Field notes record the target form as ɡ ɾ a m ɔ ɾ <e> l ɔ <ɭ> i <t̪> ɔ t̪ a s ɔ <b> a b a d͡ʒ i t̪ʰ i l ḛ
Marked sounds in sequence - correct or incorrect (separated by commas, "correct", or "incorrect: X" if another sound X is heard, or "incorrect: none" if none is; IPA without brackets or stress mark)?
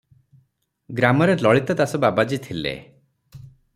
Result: correct, correct, correct, correct